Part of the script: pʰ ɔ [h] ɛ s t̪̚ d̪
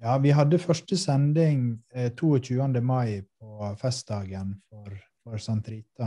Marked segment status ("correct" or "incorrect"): incorrect